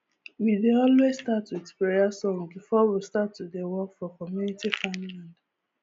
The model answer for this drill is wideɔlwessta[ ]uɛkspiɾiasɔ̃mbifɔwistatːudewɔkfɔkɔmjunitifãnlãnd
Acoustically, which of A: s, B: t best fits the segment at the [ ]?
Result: B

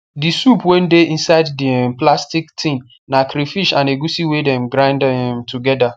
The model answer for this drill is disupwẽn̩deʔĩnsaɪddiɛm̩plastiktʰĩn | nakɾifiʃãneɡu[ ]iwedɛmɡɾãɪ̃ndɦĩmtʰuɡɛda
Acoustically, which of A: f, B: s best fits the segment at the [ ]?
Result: B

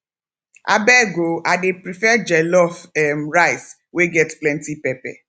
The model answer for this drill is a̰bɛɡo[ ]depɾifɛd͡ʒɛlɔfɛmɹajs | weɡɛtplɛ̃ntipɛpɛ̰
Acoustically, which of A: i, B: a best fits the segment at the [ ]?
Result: B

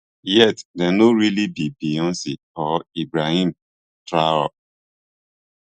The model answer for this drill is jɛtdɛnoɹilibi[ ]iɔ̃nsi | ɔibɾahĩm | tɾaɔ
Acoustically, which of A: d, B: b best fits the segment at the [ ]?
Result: B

